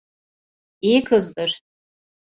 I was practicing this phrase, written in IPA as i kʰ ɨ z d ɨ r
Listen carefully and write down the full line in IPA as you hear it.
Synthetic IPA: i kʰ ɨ z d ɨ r